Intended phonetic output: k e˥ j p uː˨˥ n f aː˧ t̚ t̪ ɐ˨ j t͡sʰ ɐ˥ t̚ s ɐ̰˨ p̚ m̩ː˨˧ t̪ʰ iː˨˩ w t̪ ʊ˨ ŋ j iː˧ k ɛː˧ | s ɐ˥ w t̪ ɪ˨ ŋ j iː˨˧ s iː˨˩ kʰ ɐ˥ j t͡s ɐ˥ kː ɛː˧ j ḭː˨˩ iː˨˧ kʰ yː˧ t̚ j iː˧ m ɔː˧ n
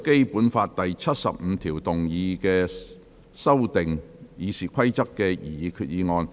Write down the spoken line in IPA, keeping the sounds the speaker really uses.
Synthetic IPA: k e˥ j p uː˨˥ n f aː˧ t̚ t̪ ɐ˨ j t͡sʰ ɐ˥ t̚ s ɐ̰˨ p̚ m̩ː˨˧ t̪ʰ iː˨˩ w t̪ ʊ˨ ŋ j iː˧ k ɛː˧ | s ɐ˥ w t̪ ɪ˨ ŋ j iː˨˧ s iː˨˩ kʰ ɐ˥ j t͡s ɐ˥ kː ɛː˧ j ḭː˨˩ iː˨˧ kʰ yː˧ t̚ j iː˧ ŋ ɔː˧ n